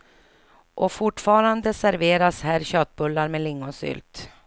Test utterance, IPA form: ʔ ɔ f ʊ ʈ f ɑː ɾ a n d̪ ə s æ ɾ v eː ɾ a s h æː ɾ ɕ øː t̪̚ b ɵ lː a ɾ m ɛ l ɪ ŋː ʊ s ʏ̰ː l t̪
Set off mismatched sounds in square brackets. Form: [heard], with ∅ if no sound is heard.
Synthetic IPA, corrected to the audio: ʔ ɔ f ʊ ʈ f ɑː ɾ a n d̪ ə s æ ɾ v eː ɾ a s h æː ɾ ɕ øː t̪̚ b ɵ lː a ɾ m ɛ l ɪ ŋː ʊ s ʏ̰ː l t̪